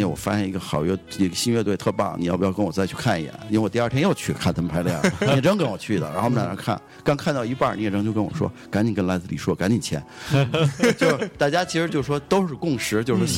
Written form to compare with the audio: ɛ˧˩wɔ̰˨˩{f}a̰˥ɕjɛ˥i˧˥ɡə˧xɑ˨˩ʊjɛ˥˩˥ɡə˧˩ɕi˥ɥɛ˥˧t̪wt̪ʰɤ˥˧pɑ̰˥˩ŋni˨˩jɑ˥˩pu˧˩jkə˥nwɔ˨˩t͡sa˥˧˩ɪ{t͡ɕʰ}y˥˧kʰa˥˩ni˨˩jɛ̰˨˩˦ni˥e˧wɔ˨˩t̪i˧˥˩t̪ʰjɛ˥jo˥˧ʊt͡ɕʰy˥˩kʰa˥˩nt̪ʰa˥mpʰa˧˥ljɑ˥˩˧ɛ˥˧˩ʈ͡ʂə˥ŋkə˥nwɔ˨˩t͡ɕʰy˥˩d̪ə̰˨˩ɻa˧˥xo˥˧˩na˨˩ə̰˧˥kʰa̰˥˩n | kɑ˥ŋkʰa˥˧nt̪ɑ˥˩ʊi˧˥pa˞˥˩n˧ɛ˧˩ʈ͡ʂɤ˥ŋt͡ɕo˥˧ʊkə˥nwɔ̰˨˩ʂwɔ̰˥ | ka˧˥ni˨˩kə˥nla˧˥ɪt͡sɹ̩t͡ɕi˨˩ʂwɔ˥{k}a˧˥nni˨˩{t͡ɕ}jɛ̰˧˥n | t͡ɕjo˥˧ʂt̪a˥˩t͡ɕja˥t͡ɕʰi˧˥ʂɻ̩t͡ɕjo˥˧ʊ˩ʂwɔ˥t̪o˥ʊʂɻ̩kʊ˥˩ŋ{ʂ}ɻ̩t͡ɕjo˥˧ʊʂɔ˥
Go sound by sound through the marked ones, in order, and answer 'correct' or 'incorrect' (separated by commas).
correct, correct, correct, incorrect, correct